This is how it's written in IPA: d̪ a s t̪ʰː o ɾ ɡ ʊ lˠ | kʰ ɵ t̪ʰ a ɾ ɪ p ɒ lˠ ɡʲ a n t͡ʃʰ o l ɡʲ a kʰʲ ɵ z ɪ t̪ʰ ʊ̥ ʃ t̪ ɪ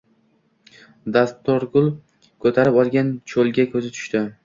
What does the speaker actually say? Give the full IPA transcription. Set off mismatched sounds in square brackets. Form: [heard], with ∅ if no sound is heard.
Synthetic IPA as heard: d̪ a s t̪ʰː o ɾ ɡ ʊ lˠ | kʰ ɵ t̪ʰ a ɾ ɪ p ɒ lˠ ɡʲ a n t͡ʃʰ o l ɡʲ a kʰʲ ɵ z ɪ t̪ʰ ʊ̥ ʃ t̪ ɪ